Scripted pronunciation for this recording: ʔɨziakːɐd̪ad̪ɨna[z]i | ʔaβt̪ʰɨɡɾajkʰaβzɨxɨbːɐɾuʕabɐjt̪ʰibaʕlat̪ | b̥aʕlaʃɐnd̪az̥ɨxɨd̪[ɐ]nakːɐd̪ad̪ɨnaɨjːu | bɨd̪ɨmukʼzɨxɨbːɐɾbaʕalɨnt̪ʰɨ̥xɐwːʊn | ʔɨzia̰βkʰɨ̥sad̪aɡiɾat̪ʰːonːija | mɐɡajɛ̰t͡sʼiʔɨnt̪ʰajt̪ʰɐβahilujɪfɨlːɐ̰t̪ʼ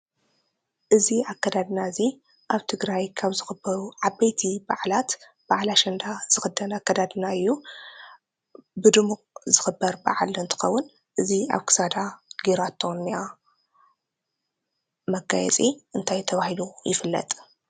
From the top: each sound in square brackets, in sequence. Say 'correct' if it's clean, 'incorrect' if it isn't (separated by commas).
correct, correct